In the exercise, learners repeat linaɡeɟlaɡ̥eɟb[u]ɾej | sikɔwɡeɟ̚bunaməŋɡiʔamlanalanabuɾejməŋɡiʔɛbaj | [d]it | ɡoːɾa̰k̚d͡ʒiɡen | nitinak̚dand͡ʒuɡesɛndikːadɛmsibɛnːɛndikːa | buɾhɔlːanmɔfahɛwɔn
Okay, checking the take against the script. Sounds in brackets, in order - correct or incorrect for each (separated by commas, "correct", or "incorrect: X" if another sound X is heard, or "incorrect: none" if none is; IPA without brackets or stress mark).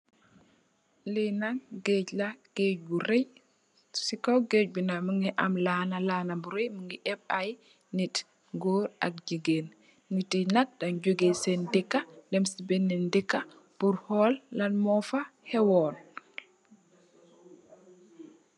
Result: correct, incorrect: n